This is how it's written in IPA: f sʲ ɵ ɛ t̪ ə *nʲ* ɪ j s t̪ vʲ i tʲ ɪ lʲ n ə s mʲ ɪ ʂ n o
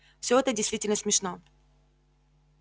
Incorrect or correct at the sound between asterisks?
incorrect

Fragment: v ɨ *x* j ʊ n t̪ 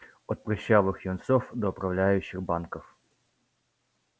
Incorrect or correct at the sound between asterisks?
correct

